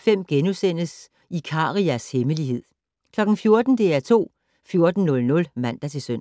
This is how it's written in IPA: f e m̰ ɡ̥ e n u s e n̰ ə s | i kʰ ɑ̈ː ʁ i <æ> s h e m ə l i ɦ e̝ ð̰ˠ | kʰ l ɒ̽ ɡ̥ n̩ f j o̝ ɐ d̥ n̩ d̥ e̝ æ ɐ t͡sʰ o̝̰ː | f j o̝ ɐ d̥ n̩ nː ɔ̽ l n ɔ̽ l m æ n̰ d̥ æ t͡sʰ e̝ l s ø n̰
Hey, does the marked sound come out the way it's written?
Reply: yes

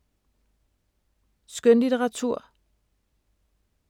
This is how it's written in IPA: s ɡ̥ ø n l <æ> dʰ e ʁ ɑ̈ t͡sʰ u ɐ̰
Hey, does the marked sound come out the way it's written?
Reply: no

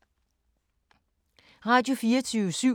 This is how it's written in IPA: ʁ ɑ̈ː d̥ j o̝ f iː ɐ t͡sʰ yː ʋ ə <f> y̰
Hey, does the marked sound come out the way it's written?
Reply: no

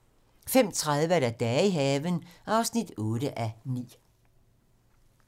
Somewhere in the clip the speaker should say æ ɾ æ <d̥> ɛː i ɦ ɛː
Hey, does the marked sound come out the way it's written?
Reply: yes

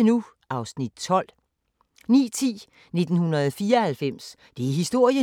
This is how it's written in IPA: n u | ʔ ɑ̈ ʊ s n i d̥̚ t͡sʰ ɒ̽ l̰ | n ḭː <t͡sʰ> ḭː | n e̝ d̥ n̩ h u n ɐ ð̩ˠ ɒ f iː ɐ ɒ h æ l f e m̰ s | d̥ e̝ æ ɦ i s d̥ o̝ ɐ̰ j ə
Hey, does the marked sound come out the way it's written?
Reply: yes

